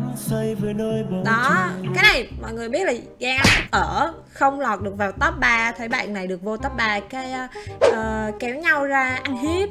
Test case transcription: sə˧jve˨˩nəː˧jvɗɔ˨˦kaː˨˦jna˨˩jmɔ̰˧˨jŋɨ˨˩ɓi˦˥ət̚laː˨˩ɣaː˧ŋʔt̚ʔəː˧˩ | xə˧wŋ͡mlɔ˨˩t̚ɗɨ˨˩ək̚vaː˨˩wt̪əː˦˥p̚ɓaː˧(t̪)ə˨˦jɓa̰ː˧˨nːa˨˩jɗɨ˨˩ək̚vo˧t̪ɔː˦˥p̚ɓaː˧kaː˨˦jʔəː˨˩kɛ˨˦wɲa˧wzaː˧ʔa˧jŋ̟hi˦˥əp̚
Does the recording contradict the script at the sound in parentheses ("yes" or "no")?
yes